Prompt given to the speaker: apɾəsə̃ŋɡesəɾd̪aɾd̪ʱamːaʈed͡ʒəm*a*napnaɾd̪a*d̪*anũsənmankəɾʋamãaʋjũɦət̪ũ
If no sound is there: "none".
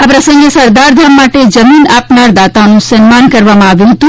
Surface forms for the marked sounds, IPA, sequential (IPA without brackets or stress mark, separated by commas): i, t̪